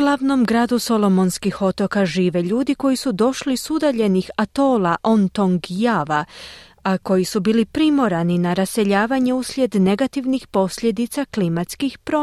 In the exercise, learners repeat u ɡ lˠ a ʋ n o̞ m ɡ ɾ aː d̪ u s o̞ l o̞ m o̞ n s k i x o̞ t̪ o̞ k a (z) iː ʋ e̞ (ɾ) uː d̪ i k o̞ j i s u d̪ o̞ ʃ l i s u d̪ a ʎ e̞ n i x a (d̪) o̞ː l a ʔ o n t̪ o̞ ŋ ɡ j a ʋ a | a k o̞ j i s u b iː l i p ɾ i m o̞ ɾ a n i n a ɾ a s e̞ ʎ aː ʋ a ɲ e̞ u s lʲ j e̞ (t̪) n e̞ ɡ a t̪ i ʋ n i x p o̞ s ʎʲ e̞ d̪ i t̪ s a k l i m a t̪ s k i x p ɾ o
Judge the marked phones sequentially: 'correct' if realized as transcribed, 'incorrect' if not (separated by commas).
incorrect, incorrect, incorrect, incorrect